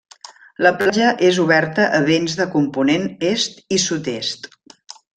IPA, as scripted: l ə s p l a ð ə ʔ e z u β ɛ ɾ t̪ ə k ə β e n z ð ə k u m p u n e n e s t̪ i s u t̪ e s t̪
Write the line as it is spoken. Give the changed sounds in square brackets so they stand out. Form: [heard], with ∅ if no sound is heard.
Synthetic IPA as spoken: l ə [∅] p l a [ʒ] ə ʔ e z u β ɛ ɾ t̪ ə [ʔ] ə β e n z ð ə k u m p u n e n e s t̪ i s u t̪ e s t̪